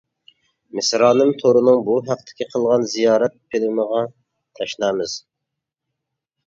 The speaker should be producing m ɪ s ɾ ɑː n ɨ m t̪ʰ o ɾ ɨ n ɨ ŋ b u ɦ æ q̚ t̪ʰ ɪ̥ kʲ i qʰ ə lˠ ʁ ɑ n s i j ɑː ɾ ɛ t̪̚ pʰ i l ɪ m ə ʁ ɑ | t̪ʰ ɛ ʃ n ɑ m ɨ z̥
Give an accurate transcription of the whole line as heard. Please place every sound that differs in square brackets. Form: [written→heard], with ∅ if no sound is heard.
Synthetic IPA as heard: m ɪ s ɾ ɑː n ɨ m t̪ʰ o ɾ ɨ n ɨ ŋ b u ɦ æ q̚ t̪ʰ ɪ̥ kʲ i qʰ ə lˠ ʁ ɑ n [s→z] i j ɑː ɾ ɛ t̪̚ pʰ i l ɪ m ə ʁ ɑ | t̪ʰ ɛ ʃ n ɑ m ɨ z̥